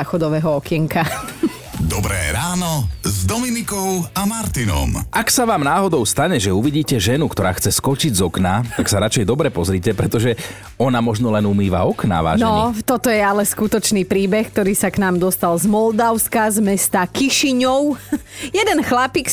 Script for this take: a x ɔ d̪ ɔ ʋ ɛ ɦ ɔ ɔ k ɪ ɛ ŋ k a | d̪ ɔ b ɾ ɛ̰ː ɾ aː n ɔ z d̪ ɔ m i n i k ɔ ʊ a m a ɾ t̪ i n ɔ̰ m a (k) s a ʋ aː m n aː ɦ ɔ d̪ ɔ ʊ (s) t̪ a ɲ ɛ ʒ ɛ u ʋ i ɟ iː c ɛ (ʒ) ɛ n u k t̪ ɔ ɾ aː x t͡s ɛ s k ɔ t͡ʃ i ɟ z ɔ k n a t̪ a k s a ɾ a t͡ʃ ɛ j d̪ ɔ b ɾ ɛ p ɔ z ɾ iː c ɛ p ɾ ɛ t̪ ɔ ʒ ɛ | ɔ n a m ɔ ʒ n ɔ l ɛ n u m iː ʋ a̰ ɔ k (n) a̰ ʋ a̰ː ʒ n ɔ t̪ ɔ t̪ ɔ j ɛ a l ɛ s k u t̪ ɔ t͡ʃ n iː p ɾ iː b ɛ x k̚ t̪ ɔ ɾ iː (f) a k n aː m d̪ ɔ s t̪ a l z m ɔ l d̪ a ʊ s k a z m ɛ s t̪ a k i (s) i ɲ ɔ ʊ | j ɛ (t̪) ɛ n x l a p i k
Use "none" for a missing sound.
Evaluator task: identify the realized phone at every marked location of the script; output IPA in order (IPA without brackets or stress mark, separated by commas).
k, s, ʒ, n, s, ʃ, d̪